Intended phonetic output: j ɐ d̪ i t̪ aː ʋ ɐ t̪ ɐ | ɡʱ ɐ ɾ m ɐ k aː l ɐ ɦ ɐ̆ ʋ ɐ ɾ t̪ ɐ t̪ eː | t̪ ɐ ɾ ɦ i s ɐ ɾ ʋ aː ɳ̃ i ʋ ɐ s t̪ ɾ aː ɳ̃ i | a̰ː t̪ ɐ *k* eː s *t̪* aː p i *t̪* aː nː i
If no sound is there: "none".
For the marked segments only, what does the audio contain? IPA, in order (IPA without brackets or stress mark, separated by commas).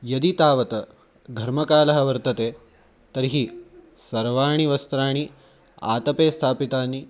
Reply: p, t̪ʰ, t̪